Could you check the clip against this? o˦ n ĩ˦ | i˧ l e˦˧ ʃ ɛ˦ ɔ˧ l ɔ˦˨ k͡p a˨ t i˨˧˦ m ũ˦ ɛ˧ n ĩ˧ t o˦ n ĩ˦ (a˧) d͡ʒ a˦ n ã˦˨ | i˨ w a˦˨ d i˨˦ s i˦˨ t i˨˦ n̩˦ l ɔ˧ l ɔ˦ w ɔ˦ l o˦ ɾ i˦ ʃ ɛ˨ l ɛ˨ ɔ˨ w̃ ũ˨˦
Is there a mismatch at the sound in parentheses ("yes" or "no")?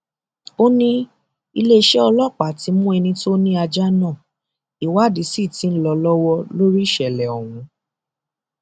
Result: no